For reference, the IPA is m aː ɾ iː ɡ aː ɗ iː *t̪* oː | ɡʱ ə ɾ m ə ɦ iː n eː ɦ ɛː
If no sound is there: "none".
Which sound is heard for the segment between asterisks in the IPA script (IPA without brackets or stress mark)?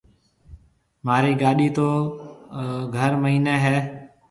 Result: t̪